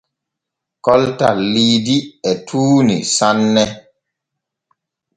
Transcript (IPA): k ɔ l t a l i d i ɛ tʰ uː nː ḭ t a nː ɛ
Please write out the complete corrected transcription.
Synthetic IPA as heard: k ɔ l t a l i d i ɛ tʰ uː n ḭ s a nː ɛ